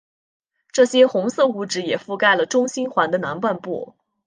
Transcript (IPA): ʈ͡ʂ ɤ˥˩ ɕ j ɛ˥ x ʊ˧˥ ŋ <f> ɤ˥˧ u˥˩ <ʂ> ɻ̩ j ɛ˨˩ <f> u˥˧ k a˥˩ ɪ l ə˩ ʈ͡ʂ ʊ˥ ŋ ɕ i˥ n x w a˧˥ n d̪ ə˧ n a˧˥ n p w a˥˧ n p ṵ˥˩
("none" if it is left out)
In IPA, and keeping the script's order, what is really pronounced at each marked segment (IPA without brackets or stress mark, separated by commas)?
s, ʈ͡ʂ, f